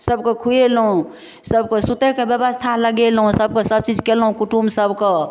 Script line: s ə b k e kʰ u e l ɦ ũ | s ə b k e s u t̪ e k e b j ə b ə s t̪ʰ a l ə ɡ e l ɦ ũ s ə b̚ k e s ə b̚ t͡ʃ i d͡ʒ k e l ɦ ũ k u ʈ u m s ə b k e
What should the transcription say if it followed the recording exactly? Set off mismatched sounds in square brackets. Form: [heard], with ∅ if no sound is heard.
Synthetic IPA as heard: s ə b k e kʰ u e l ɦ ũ | s ə b k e s u t̪ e k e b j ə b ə s t̪ʰ a l ə ɡ e l ɦ ũ s ə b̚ k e s ə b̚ t͡ʃ i d͡ʒ k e l ɦ ũ k u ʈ u m s ə b k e